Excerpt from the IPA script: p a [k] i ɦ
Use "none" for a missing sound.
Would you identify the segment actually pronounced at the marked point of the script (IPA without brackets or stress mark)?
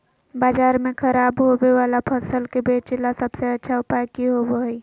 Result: k